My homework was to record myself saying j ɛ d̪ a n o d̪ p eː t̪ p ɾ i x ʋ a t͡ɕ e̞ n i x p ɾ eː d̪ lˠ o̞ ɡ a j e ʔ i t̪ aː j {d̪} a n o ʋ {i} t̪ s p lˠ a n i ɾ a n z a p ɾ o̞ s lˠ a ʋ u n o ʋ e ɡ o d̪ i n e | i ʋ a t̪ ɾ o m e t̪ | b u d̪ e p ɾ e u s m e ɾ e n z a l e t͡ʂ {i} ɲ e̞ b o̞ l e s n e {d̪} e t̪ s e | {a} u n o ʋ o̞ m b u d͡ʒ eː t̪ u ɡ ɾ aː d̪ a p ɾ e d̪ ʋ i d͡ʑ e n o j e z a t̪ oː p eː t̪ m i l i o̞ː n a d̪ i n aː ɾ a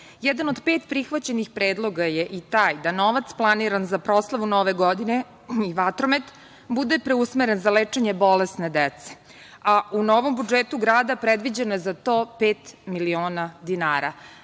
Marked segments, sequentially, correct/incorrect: correct, incorrect, incorrect, correct, correct

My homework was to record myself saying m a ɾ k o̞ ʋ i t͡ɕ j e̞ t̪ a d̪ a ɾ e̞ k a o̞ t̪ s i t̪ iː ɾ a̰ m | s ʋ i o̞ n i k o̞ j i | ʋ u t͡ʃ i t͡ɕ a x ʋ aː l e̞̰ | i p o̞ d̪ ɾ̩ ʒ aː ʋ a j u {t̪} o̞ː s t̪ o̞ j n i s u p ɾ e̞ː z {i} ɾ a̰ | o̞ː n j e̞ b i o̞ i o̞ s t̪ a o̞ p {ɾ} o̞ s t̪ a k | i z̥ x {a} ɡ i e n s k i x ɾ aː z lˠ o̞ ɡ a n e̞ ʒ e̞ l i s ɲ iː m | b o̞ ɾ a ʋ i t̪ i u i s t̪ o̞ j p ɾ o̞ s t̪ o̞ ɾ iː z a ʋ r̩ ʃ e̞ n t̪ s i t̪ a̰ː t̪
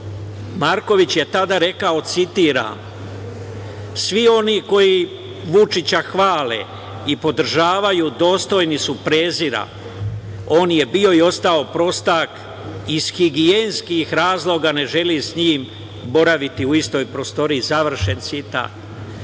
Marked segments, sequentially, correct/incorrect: incorrect, correct, correct, incorrect

